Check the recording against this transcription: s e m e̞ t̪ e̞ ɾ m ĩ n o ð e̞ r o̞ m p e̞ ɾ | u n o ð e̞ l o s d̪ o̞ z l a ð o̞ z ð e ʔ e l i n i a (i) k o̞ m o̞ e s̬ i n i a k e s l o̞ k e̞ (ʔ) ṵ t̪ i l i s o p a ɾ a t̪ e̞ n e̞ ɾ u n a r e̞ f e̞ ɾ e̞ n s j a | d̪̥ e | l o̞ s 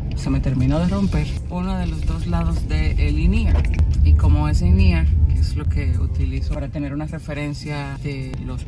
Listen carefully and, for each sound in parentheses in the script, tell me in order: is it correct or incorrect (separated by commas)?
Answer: correct, incorrect